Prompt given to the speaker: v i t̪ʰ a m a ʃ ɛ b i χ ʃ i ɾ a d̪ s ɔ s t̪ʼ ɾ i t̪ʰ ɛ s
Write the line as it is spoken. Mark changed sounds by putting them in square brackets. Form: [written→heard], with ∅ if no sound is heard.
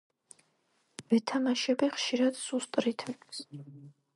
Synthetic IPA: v [i→ɛ] t̪ʰ a m a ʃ ɛ b i χ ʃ i ɾ a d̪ s [ɔ→u] s t̪ʼ ɾ i t̪ʰ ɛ s